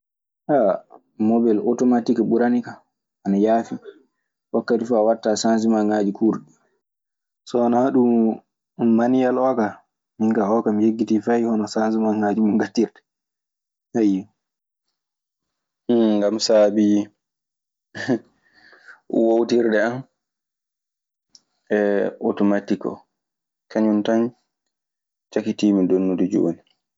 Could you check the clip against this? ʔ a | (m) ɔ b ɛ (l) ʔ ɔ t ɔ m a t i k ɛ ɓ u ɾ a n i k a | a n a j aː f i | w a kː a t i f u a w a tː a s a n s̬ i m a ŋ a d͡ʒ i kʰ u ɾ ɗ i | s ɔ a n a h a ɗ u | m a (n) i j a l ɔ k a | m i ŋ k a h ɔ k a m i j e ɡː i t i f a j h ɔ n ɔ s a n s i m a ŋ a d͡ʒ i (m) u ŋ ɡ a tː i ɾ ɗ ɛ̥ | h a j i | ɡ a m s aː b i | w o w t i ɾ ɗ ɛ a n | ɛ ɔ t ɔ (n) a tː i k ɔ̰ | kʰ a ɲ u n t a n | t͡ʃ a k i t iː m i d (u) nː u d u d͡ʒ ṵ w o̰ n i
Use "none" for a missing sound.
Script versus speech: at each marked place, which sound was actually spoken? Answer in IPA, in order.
m, l, n, m, m, o

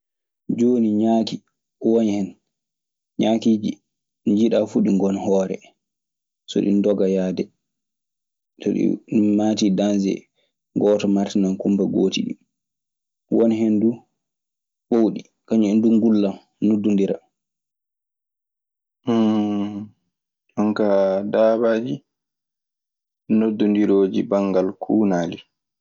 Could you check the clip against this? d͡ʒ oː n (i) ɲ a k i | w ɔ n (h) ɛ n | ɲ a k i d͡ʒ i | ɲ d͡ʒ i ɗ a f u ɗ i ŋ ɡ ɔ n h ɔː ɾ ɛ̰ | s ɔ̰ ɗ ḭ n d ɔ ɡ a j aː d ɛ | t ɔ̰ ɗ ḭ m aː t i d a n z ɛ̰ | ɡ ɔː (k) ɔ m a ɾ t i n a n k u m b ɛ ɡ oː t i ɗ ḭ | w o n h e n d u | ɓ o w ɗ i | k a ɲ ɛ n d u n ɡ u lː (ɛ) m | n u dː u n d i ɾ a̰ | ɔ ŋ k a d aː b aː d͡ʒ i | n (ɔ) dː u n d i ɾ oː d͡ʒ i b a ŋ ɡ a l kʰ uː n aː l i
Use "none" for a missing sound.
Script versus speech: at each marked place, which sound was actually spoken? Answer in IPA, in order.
i, h, t, a, o

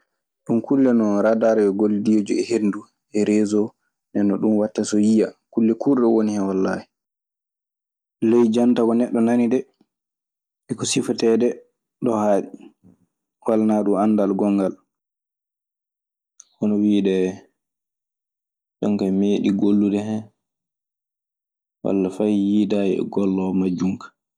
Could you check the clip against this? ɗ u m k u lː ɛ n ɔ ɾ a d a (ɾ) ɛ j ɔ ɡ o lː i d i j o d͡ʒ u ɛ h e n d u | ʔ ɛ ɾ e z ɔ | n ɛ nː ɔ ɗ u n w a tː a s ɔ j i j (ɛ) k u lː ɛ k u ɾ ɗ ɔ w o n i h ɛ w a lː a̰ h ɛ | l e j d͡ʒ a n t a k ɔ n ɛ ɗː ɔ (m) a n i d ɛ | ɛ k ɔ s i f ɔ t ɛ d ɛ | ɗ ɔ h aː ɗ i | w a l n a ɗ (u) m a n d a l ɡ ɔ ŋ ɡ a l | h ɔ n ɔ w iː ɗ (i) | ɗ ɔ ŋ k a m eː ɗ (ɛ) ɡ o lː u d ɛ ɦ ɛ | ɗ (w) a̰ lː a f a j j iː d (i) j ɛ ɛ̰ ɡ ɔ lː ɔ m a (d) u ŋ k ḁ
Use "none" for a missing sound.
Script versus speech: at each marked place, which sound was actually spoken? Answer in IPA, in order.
ɾ, a, n, u, ɛ, i, w, a, d͡ʒ

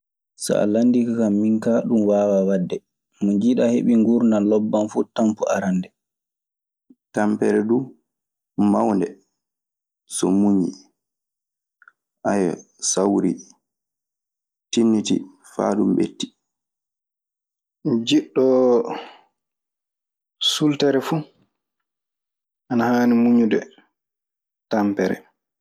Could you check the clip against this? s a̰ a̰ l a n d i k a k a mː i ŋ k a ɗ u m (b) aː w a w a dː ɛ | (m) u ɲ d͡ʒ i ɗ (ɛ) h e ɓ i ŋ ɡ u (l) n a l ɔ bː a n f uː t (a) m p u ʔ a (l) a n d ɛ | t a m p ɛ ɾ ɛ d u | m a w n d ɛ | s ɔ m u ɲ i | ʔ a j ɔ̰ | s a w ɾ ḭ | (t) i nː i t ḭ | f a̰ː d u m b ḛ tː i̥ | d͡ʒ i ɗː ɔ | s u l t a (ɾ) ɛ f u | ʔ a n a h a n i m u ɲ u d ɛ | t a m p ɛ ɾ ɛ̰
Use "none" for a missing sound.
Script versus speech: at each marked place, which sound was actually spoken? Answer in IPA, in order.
w, m, a, ɾ, a, ɾ, t, ɾ

